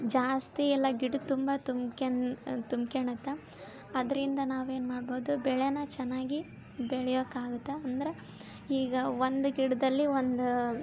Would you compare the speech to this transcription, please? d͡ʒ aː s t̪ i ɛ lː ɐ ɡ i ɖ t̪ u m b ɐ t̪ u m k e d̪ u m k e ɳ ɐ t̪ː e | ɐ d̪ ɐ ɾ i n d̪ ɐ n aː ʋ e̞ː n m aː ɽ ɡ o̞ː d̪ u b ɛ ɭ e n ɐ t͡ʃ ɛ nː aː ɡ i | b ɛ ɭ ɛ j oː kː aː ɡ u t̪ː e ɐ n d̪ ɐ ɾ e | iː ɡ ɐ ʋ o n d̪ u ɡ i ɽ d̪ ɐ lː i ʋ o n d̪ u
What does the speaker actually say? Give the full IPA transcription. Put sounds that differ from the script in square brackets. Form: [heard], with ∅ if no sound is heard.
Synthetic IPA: d͡ʒ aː s t̪ i ɛ lː ɐ ɡ i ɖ t̪ u m b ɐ t̪ u m k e [t̪] u m k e ɳ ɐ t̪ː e | ɐ d̪ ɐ ɾ i n d̪ ɐ n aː ʋ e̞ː n m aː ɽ [b] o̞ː d̪ u b ɛ ɭ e n ɐ t͡ʃ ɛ nː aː ɡ i | b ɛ ɭ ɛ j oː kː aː ɡ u t̪ː e ɐ n d̪ ɐ ɾ e | iː ɡ ɐ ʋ o n d̪ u ɡ i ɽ d̪ ɐ lː i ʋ o n d̪ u